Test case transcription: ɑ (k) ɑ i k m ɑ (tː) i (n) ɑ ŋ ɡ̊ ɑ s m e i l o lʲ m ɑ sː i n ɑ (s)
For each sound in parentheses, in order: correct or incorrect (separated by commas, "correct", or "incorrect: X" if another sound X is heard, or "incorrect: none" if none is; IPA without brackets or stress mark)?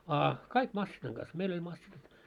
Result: correct, incorrect: sː, correct, incorrect: t